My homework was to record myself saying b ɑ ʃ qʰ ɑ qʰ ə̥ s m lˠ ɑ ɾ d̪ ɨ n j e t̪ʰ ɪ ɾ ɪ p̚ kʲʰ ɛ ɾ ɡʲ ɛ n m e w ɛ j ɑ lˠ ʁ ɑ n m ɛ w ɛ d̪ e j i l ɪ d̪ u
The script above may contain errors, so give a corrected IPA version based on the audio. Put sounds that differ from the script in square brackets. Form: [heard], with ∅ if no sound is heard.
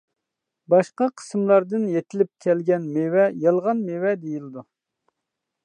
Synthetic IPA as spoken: b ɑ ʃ [q] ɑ qʰ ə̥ s m lˠ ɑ ɾ d̪ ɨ n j e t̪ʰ ɪ [l] ɪ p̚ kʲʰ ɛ [l] ɡʲ ɛ n m e w ɛ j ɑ lˠ ʁ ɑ n m [e] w ɛ d̪ e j i l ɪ d̪ u

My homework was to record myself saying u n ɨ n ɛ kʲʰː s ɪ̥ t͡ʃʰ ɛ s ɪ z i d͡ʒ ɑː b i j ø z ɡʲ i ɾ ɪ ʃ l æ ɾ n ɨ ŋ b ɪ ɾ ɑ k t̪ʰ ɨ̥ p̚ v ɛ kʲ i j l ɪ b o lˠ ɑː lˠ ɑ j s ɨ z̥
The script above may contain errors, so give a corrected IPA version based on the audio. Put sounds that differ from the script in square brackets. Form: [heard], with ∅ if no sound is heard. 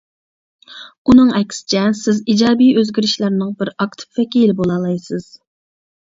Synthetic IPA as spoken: u n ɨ [ŋ] ɛ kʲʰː s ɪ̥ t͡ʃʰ ɛ s ɪ z i d͡ʒ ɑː b i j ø z ɡʲ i ɾ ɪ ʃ l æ ɾ n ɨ ŋ b ɪ ɾ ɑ k t̪ʰ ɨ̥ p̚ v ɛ kʲ i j l ɪ b o lˠ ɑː lˠ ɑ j s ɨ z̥

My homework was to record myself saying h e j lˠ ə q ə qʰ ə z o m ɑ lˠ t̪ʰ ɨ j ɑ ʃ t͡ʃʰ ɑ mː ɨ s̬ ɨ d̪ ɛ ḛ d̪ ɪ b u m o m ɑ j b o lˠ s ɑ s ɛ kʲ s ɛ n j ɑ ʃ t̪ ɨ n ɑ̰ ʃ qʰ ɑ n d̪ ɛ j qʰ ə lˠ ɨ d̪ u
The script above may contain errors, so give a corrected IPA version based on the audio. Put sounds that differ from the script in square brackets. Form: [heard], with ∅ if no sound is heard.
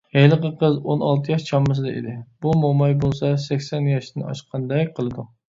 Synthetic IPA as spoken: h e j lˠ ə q ə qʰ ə z o [n] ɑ lˠ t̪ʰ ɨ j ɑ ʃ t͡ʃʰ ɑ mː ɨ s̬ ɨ d̪ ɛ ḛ d̪ ɪ b u m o m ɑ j b o lˠ s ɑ s ɛ kʲ s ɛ n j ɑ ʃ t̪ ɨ n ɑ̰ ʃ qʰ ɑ n d̪ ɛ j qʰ ə lˠ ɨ d̪ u

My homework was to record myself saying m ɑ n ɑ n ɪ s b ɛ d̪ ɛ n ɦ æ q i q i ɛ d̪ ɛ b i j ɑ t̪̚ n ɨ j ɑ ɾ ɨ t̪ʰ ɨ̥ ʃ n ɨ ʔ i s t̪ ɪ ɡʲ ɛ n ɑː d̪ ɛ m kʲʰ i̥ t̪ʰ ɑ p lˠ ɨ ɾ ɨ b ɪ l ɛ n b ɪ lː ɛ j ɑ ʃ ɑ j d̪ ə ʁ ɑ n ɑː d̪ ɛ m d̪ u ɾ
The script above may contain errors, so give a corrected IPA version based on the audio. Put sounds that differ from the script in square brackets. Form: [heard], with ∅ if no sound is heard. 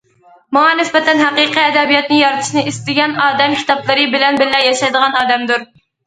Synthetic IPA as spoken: m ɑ [ŋ] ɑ n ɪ s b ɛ [t̪] ɛ n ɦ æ q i q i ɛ d̪ ɛ b i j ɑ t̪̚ n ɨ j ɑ ɾ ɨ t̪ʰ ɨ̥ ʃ n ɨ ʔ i s t̪ ɪ ɡʲ ɛ n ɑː d̪ ɛ m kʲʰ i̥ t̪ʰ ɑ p lˠ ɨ ɾ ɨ b ɪ l ɛ n b ɪ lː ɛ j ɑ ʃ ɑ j d̪ ə ʁ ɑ n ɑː d̪ ɛ m d̪ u ɾ

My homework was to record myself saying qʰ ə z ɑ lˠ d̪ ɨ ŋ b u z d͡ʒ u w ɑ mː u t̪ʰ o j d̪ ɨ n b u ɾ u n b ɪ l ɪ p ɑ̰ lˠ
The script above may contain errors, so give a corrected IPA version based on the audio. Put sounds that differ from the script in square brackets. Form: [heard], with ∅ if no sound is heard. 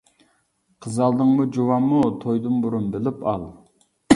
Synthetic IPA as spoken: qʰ ə z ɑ lˠ d̪ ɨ ŋ [m] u [∅] d͡ʒ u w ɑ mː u t̪ʰ o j d̪ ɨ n b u ɾ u n b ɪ l ɪ p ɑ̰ lˠ

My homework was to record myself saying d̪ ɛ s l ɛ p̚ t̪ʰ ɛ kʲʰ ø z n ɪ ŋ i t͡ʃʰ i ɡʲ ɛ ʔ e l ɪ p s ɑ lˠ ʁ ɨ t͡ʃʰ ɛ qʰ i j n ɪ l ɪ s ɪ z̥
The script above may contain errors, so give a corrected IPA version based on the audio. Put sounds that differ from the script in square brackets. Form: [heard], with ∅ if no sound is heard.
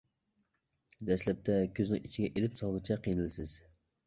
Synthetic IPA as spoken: d̪ ɛ s l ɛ p̚ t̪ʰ ɛ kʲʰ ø z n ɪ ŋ i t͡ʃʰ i ɡʲ ɛ ʔ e l ɪ p s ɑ lˠ ʁ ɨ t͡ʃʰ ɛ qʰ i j n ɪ l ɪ s ɪ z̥

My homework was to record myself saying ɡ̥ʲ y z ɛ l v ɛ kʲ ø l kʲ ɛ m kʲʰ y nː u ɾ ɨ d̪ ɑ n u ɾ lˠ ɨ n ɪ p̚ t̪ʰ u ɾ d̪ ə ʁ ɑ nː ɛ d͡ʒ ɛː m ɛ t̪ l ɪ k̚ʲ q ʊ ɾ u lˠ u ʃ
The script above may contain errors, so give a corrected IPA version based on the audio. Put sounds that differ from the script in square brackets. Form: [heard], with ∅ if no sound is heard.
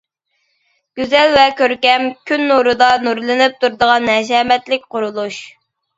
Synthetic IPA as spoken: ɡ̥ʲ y z ɛ l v ɛ kʲ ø [ɾ] kʲ ɛ m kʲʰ y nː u ɾ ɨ d̪ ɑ n u ɾ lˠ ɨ n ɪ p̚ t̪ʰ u ɾ d̪ ə ʁ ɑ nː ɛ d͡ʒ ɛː m ɛ t̪ l ɪ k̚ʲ q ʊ ɾ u lˠ u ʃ

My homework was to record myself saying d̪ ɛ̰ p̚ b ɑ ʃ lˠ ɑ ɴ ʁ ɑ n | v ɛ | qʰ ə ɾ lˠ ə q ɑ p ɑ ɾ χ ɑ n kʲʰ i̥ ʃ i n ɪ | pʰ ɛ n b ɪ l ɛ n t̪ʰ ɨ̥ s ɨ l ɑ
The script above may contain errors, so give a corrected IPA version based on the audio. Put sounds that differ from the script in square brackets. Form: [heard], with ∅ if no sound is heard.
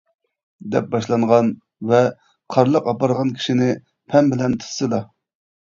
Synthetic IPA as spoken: d̪ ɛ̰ p̚ b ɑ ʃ lˠ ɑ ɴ ʁ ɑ n | v ɛ | qʰ [ɑ] ɾ lˠ ə q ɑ p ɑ ɾ [ʁ] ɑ n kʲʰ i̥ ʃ i n ɪ | pʰ ɛ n b ɪ l ɛ n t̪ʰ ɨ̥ s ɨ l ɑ

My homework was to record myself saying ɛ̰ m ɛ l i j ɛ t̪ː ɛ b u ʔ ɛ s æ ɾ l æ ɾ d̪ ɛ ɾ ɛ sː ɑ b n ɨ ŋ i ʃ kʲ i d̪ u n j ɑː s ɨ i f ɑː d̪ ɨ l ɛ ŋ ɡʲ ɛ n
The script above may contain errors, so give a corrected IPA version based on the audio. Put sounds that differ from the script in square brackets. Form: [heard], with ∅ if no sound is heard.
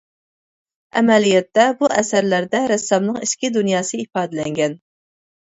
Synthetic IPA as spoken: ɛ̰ m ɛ l i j ɛ t̪ː ɛ b u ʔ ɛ s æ ɾ l æ ɾ d̪ ɛ ɾ ɛ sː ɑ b n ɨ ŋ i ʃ kʲ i d̪ u n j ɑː s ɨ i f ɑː d̪ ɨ l ɛ ŋ ɡʲ ɛ n

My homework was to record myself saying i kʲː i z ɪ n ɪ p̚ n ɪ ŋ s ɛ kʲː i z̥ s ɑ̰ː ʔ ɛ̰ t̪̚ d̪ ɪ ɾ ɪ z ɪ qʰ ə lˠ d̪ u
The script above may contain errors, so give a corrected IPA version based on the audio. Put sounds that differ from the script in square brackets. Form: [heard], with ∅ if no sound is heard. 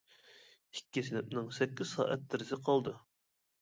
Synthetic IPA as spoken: i kʲː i [s] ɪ n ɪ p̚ n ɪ ŋ s ɛ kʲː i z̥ s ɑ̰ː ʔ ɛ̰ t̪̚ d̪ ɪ ɾ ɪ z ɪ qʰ [ɑ] lˠ d̪ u

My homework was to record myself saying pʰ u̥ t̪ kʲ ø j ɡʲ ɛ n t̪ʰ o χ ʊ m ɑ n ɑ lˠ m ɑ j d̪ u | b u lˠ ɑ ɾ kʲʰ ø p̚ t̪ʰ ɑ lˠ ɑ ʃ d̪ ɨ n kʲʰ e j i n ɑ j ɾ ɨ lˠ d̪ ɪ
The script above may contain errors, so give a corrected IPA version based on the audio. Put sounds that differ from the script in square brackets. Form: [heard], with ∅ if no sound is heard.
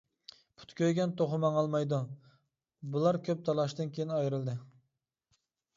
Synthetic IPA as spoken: pʰ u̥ t̪ kʲ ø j ɡʲ ɛ n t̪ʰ o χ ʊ m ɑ [ŋ] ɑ lˠ m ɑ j d̪ u | b u lˠ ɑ ɾ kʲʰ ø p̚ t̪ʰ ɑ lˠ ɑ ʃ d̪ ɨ n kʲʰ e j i n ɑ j ɾ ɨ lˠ d̪ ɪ

